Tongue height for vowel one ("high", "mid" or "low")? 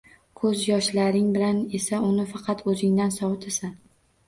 mid